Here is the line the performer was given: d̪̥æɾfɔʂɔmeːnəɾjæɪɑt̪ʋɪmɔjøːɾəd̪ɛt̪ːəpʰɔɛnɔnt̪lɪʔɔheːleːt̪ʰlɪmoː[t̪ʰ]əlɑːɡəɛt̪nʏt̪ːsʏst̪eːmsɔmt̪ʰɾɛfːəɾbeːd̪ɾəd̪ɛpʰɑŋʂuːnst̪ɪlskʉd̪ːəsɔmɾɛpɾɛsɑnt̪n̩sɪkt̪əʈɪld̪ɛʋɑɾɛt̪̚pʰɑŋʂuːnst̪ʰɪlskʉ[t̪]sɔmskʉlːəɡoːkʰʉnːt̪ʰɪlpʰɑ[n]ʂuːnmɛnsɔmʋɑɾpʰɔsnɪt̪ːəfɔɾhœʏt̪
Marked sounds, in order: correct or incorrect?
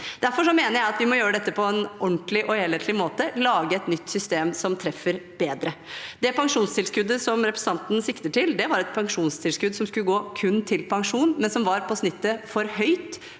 incorrect: t̪, incorrect: d̪, incorrect: ŋ

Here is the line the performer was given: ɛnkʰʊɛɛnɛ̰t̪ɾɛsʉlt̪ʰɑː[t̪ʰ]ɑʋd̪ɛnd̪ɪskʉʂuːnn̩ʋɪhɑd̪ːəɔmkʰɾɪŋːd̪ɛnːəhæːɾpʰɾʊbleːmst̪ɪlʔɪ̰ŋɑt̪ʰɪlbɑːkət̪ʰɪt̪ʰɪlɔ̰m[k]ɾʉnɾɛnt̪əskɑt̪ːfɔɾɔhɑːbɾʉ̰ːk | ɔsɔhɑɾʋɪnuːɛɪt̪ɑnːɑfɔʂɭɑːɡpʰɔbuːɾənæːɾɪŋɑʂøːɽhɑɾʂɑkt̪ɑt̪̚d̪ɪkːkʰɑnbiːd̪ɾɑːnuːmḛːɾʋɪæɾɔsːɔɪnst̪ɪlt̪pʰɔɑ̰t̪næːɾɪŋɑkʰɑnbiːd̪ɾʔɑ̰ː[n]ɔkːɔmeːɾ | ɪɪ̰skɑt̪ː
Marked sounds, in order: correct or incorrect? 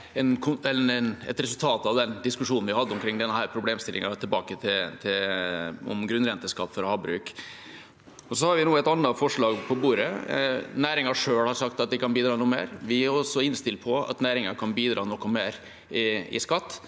incorrect: t̪, incorrect: ɡ, correct

